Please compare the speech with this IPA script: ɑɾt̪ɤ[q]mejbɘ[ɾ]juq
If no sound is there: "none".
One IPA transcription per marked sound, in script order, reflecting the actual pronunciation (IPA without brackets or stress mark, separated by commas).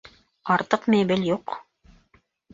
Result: q, l